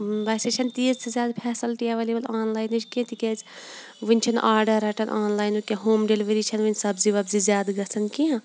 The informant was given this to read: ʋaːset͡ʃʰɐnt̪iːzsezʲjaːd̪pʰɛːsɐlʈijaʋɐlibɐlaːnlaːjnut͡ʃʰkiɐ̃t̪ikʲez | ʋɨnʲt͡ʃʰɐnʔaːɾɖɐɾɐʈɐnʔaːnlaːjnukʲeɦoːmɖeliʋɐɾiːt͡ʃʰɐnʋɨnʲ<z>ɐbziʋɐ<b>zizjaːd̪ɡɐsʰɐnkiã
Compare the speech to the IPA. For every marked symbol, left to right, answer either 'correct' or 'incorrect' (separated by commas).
incorrect, correct